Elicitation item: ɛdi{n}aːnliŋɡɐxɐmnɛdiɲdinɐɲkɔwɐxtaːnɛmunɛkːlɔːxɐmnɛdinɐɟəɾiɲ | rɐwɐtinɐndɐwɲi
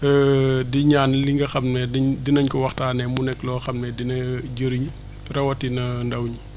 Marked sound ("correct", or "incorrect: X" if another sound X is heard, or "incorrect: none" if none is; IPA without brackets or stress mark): incorrect: ɲ